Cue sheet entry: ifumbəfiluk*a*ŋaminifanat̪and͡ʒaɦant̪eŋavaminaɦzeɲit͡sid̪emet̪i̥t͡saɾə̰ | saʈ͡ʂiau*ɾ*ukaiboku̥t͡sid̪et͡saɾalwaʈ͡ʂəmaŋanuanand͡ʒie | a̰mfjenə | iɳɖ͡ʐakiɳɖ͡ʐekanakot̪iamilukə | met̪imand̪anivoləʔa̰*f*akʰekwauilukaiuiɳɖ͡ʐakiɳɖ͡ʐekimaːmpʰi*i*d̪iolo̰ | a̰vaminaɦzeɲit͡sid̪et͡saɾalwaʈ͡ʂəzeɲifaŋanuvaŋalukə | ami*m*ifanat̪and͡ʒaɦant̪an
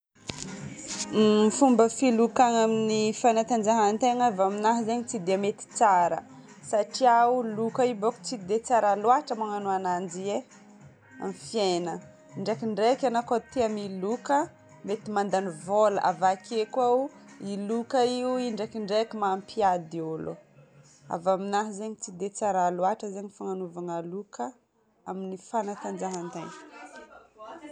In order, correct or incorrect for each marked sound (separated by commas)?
correct, incorrect, incorrect, incorrect, incorrect